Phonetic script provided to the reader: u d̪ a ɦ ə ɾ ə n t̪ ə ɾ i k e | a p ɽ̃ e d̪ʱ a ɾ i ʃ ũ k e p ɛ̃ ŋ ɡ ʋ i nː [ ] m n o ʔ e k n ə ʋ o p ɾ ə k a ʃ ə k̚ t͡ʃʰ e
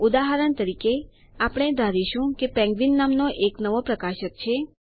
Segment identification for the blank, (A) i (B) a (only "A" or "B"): B